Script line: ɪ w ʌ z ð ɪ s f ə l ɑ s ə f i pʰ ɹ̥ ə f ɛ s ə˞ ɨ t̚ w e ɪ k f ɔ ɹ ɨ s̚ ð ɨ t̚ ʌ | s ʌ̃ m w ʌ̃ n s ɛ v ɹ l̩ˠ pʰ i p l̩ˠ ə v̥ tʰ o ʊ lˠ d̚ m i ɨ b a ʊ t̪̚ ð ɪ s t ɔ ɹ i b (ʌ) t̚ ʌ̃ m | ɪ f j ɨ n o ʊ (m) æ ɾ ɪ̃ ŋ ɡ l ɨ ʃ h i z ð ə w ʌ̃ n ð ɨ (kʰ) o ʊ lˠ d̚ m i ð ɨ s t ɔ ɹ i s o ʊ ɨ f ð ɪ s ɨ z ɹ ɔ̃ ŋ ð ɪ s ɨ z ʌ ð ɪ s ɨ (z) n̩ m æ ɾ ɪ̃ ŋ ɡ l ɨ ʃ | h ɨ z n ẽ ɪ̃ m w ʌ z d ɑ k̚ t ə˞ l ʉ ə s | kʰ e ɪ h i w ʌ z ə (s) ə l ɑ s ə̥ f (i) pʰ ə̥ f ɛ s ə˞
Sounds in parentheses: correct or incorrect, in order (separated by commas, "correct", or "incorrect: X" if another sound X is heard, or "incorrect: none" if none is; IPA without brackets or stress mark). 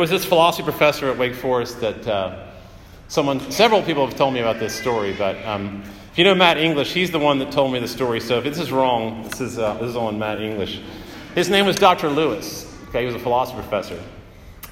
correct, correct, incorrect: tʰ, correct, incorrect: f, correct